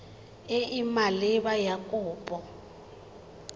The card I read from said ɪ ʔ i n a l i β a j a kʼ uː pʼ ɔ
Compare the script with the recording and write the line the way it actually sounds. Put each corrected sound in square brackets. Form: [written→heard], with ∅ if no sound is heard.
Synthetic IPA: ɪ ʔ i [n→m] a l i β a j a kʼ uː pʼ ɔ